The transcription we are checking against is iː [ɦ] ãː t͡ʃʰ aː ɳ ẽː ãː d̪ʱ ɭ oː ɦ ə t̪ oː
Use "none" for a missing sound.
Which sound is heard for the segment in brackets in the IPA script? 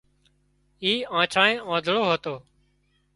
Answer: none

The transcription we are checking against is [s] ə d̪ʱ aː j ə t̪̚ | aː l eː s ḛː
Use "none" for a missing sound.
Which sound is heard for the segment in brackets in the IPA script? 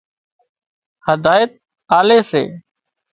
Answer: h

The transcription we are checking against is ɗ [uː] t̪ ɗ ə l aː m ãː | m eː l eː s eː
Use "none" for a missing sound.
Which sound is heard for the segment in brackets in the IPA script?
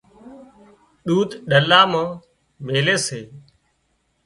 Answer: uː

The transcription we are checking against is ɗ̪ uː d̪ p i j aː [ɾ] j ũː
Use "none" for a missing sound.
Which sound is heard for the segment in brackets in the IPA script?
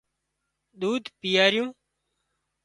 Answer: ɾ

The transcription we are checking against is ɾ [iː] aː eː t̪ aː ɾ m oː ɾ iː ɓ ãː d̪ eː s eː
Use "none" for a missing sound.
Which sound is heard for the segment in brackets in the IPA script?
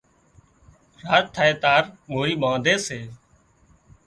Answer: aː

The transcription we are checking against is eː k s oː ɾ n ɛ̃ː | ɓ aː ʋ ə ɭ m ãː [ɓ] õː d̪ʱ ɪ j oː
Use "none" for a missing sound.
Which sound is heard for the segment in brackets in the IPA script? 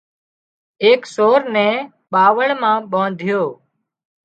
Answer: ɓ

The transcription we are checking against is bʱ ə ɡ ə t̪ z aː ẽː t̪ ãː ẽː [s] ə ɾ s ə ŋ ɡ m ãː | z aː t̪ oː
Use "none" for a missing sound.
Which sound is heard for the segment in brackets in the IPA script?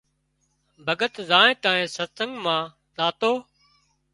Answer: s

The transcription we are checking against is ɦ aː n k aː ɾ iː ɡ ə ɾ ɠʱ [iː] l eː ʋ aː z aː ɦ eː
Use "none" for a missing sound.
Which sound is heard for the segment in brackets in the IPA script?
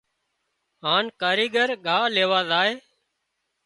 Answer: aː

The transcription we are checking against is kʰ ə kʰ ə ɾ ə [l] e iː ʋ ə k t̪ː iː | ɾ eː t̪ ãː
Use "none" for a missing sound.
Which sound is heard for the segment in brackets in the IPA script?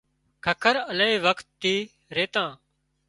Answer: l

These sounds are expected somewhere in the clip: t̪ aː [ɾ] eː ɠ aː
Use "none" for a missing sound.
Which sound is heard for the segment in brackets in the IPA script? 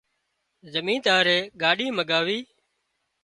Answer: ɾ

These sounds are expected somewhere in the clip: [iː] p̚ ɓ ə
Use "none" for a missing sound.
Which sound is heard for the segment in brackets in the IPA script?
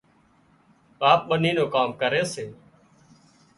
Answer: aː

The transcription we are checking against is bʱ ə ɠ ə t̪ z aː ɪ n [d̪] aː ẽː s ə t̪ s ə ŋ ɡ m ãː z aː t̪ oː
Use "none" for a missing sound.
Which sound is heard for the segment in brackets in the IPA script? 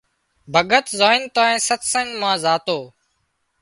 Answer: t̪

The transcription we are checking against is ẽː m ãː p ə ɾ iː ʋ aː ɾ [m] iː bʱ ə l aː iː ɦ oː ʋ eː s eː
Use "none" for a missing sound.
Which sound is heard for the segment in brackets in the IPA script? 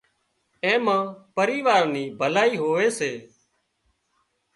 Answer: n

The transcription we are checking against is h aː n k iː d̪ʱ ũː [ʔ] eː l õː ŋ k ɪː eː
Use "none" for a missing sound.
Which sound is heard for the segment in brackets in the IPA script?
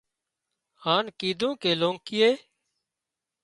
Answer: k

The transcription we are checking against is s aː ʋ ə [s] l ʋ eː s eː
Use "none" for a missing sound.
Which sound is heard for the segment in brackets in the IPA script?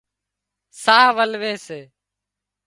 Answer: none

